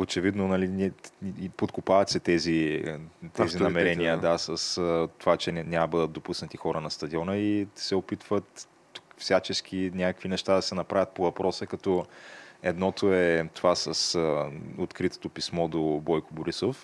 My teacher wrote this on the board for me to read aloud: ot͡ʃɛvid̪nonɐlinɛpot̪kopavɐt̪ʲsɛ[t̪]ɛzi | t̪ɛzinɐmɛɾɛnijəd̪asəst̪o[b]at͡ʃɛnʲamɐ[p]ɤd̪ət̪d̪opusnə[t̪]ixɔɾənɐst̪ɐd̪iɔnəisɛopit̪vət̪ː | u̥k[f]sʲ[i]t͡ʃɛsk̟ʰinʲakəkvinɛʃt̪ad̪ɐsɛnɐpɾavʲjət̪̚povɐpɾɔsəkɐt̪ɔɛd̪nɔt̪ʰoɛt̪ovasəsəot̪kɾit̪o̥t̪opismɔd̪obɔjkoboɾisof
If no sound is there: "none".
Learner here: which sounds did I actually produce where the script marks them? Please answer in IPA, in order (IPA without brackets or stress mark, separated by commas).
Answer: t̪, v, b, t̪, f, a